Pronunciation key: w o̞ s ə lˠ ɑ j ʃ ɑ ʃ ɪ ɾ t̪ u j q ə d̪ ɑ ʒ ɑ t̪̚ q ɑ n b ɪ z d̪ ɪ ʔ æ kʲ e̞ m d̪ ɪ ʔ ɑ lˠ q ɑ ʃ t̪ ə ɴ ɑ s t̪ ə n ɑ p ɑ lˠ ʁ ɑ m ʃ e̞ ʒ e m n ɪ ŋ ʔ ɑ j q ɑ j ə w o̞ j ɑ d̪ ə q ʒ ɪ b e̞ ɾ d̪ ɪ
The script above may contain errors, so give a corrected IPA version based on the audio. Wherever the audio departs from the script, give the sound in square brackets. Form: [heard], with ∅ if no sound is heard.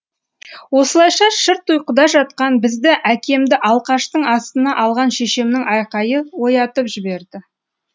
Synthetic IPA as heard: w o̞ s ə lˠ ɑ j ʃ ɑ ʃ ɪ ɾ t̪ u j q ə d̪ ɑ ʒ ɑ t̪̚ q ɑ n b ɪ z d̪ ɪ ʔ æ kʲ e̞ m d̪ ɪ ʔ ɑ lˠ q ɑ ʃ t̪ ə ɴ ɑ s t̪ ə n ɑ [ʔ] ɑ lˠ ʁ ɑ [n] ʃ e̞ [ʃ] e m n ɪ ŋ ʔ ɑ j q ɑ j ə w o̞ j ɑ [t̪] ə [p] ʒ ɪ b e̞ ɾ d̪ ɪ